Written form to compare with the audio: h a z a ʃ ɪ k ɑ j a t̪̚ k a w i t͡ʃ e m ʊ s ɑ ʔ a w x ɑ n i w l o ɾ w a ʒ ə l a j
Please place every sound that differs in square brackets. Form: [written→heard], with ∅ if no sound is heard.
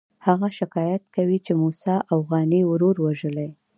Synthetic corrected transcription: h a [z→ɣ] a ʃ ɪ k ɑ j a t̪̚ k a w i t͡ʃ e m [ʊ→u] s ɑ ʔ a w [x→ɣ] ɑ n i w [l→ɾ] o ɾ w a ʒ ə l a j